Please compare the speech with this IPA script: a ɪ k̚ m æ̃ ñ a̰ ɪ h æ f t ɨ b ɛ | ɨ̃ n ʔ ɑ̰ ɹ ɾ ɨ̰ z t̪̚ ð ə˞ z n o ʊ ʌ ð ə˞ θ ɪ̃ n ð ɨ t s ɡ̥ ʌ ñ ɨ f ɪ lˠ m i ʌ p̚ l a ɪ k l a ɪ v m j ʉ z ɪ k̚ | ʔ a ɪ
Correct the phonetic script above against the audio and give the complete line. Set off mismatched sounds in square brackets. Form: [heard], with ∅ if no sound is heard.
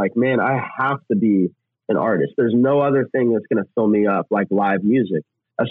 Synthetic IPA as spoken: a ɪ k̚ m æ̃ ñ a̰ ɪ h æ f t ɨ b [i] | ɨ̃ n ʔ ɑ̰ ɹ ɾ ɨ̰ [s] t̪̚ ð ə˞ z n o ʊ ʌ ð ə˞ θ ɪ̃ [ŋ] ð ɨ t s ɡ̥ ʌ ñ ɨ f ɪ lˠ m i ʌ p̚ l a ɪ k l a ɪ v m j ʉ z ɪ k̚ | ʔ a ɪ